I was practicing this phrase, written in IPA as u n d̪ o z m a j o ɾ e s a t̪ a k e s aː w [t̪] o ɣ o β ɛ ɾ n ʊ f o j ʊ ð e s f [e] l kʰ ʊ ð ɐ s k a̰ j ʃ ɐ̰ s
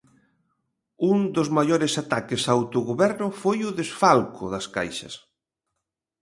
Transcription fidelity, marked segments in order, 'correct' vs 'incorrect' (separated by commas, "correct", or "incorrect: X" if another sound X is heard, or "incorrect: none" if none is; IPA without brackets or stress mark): correct, incorrect: a